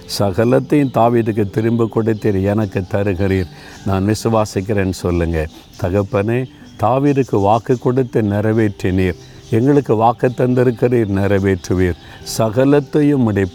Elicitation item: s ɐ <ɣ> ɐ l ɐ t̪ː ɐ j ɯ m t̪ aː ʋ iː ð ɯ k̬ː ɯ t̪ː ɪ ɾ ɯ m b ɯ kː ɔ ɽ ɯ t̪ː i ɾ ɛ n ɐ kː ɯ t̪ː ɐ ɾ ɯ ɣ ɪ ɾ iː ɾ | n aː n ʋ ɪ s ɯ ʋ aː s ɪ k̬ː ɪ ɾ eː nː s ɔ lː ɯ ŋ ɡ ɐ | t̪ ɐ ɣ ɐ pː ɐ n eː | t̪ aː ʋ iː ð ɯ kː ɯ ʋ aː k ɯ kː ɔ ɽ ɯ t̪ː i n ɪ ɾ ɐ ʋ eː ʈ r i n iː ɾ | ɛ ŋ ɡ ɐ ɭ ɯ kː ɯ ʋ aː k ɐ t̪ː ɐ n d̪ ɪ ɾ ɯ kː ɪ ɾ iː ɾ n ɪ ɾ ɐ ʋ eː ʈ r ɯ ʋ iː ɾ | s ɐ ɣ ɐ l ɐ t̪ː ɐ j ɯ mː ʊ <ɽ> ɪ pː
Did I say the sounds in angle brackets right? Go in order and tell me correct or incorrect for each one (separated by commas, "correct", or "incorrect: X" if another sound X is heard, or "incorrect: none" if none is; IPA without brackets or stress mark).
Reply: correct, correct